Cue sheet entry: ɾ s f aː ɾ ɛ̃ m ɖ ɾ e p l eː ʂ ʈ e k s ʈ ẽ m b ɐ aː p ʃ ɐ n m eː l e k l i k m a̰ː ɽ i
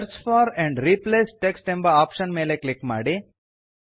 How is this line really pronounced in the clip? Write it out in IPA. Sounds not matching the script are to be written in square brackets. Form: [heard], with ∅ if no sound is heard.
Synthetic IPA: ɾ s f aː ɾ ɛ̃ [ɳ] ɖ ɾ [i] p l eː [s] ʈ e k s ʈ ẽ m b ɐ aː p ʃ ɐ n m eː l e k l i k m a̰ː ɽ i